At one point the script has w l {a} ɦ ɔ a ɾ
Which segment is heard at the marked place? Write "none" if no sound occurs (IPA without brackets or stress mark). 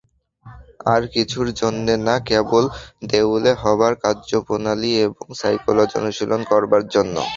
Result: e